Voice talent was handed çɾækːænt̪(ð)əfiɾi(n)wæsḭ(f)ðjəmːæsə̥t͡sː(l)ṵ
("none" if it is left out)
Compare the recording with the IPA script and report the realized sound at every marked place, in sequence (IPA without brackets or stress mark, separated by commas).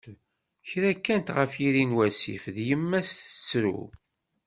ʁ, n, f, ɾ